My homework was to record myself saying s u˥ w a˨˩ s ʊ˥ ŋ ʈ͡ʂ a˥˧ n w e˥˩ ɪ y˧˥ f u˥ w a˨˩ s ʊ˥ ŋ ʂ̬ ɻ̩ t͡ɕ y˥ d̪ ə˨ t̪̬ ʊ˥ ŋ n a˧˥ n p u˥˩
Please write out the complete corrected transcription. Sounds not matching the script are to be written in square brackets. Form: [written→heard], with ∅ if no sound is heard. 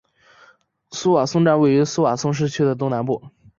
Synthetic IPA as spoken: s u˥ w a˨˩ s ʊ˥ ŋ ʈ͡ʂ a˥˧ n w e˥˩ ɪ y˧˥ [f→s] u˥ w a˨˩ s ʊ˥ ŋ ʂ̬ ɻ̩ [t͡ɕ→t͡ɕʰ] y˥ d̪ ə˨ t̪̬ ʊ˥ ŋ n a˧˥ n p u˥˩